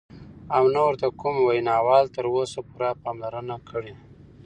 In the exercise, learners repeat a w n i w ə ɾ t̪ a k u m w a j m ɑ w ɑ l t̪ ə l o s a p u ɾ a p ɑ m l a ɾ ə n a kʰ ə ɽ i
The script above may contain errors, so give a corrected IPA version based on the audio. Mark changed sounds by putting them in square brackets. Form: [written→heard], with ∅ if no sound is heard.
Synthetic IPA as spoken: a w n [i→a] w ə ɾ t̪ a k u m w a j [m→n] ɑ w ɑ l t̪ ə [l→ɾ] o s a p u ɾ a p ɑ m l a ɾ ə n a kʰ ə ɽ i